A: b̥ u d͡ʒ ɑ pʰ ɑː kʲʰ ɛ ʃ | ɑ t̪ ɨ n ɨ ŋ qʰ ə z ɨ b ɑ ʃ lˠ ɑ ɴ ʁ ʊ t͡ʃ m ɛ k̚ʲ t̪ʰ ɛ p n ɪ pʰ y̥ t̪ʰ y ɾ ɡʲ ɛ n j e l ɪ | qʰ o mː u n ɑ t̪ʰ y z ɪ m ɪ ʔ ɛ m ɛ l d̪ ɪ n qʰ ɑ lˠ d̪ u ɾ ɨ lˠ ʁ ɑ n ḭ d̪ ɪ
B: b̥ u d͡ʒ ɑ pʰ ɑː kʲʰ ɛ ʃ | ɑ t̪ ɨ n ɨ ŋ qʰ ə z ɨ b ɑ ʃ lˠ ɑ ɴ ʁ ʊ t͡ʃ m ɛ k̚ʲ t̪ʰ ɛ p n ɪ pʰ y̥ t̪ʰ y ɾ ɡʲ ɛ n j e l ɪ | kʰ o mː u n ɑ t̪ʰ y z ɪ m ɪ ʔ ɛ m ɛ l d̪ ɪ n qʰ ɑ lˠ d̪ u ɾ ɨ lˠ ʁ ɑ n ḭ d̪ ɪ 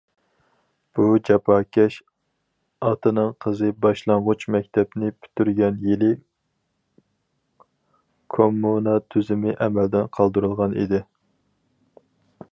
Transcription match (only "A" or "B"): B